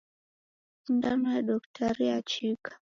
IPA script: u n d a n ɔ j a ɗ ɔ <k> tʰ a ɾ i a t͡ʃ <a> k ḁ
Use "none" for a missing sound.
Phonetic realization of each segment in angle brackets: k, i

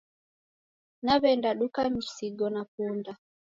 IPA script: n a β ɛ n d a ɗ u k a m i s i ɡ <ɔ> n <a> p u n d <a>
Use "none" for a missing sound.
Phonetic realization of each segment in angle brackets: ɔ, a, a

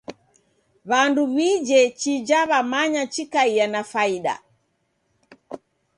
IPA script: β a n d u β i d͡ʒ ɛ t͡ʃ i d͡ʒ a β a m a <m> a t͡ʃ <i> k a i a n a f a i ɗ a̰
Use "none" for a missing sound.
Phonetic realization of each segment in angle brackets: ɲ, i

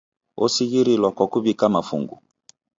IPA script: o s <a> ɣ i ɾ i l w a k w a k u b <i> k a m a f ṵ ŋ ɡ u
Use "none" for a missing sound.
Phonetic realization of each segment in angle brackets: i, i

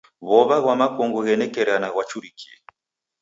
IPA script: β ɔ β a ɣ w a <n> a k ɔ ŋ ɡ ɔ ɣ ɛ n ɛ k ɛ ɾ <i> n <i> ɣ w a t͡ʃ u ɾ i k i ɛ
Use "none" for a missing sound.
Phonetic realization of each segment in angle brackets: m, a, a

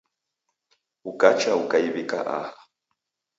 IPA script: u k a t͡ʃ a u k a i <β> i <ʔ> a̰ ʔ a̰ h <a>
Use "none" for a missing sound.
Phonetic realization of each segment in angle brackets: β, k, a

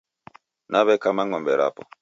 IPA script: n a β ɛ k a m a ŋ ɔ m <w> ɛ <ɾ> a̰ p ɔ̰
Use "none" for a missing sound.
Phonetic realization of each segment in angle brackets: b, ɾ

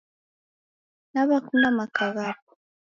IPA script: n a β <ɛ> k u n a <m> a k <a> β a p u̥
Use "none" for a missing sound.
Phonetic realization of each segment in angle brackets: a, m, a

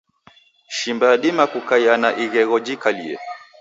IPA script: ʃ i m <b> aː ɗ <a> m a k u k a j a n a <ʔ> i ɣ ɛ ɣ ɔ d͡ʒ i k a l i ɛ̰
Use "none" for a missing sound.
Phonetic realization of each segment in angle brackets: b, i, ʔ

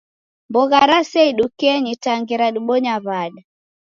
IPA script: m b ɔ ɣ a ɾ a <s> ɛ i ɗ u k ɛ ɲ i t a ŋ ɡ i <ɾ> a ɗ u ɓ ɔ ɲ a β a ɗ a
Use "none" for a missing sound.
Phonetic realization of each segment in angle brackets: s, ɾ

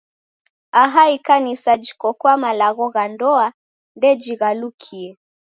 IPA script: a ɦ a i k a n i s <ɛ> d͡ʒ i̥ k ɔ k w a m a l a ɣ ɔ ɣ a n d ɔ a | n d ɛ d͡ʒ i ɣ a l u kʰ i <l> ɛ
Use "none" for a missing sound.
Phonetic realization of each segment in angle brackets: a, none

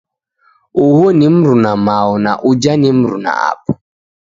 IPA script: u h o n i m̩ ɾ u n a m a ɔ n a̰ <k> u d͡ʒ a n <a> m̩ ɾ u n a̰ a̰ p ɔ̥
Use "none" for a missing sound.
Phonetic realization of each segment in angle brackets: ʔ, i

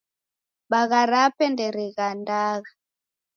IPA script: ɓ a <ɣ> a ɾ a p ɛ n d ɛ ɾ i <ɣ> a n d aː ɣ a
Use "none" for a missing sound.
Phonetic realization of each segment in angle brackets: ɣ, ɣ

